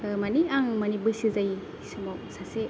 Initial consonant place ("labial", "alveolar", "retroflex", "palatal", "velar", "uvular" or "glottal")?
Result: labial